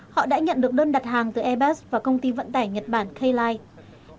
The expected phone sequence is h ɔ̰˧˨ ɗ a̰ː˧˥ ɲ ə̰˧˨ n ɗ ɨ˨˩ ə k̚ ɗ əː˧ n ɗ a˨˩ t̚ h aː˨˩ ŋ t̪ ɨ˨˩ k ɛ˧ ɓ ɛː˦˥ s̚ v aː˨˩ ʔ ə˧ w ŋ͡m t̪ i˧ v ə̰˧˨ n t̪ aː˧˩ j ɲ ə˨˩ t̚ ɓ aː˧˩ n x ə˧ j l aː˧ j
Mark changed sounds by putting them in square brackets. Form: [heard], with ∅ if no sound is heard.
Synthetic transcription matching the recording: h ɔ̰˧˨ ɗ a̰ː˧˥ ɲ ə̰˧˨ n ɗ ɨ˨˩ ə k̚ ɗ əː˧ n ɗ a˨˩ t̚ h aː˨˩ ŋ t̪ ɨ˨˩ [ʔ] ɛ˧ ɓ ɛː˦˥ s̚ v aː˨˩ [k] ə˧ w ŋ͡m t̪ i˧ v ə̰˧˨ n t̪ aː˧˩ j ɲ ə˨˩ t̚ ɓ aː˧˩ n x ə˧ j l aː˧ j

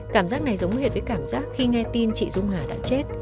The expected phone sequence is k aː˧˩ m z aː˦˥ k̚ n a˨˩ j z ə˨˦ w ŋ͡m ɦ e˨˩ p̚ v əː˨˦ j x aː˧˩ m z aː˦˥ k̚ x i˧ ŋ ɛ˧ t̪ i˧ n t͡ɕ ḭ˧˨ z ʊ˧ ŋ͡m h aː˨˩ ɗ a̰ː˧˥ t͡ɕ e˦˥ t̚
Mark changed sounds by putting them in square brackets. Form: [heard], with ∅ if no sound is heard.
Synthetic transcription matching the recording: k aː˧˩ m z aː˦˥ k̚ n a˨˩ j z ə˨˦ w ŋ͡m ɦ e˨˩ [t̚] v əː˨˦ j [k] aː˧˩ m z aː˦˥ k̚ x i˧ ŋ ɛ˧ t̪ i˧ n t͡ɕ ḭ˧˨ z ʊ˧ ŋ͡m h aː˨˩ ɗ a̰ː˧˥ t͡ɕ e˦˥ t̚

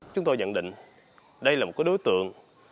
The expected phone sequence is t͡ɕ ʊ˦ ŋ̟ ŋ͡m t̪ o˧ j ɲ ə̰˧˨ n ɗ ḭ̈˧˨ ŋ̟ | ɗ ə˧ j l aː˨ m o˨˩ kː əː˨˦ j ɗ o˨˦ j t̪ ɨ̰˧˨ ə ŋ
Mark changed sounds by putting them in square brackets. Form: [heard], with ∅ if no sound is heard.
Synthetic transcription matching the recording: t͡ɕ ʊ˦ [∅] ŋ͡m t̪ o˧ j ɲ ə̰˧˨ n ɗ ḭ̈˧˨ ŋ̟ | ɗ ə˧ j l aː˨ m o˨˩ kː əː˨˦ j ɗ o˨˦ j t̪ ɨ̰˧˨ ə ŋ

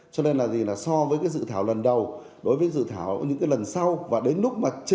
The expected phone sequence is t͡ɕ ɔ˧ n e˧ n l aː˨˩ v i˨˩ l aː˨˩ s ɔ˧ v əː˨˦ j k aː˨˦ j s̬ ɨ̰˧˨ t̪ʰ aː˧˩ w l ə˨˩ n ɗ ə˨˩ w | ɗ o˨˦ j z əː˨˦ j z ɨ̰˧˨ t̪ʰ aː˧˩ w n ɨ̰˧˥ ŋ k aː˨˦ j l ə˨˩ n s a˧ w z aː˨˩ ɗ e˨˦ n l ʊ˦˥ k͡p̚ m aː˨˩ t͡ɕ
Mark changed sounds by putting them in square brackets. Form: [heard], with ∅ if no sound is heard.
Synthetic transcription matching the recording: t͡ɕ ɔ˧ n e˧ n l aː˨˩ [z] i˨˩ l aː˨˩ s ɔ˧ v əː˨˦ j k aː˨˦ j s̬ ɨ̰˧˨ t̪ʰ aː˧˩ w l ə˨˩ n ɗ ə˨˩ w | ɗ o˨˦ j [v] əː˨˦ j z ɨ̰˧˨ t̪ʰ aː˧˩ w [ɲ] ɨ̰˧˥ ŋ k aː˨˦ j l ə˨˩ n s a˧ w [v] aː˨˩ ɗ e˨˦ n l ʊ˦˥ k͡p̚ m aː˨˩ t͡ɕ

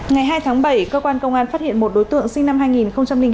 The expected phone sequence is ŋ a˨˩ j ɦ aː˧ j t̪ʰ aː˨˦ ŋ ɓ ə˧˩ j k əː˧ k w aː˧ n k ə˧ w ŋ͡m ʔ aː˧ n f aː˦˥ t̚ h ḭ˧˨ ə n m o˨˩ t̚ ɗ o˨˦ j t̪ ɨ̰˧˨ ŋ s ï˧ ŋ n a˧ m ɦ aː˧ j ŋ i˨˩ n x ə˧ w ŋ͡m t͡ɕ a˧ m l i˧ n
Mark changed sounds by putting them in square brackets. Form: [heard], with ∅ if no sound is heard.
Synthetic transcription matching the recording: ŋ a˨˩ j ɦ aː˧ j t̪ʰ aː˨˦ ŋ ɓ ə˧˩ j k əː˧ k w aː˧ n k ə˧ w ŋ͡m ʔ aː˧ n f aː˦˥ t̚ h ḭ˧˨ ə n m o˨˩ t̚ ɗ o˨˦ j t̪ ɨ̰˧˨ ŋ s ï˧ ŋ n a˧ m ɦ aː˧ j ŋ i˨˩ n x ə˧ w ŋ͡m t͡ɕ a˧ m l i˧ [ŋ]

